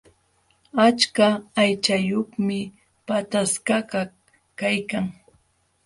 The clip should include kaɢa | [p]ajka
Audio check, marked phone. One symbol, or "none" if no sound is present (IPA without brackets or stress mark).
k